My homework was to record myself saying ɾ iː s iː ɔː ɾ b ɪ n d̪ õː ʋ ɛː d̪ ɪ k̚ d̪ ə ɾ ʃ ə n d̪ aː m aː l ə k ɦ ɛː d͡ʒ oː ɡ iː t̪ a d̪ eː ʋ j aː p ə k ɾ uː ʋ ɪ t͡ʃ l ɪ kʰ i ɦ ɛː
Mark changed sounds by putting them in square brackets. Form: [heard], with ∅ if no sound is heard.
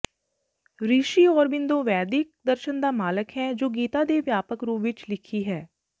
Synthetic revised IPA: ɾ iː [ʃ] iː ɔː ɾ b ɪ n d̪ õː ʋ ɛː d̪ ɪ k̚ d̪ ə ɾ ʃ ə n d̪ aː m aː l ə k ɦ ɛː d͡ʒ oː ɡ iː t̪ a d̪ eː ʋ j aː p ə k ɾ uː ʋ ɪ t͡ʃ l ɪ kʰ i ɦ ɛː